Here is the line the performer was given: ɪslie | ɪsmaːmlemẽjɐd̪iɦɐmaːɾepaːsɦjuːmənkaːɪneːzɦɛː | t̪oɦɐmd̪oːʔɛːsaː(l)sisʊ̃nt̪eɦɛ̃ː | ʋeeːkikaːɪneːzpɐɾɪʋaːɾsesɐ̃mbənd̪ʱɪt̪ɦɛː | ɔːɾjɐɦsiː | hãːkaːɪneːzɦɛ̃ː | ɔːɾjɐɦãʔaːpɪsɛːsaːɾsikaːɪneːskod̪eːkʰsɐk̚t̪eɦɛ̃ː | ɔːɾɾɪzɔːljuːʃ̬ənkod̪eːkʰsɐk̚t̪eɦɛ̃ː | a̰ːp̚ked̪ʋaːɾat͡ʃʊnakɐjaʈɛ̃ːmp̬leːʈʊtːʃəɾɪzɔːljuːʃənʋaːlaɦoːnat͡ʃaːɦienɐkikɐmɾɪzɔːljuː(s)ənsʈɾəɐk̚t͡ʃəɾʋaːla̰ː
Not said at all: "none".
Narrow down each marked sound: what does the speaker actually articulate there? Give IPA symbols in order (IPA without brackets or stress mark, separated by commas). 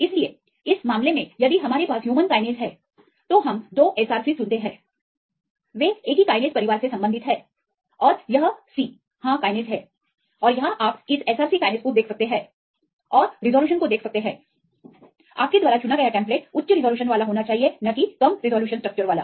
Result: ɾ, ʃ